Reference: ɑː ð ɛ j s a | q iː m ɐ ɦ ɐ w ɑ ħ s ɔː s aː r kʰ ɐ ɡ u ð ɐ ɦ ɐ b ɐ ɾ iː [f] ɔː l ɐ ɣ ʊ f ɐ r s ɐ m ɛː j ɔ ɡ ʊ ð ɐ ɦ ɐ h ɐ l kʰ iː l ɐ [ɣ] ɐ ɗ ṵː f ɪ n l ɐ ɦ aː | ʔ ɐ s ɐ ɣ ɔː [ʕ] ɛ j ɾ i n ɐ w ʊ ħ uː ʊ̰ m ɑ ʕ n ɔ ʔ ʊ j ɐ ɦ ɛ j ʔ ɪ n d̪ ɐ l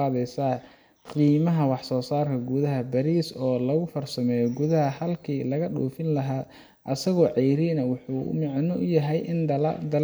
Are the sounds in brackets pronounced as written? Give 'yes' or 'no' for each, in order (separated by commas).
no, yes, yes